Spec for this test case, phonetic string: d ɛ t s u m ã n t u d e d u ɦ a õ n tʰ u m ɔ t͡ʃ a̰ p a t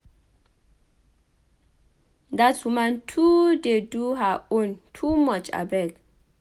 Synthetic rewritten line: d a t s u m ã n tʰ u d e d u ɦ a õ n tʰ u m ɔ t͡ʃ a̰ b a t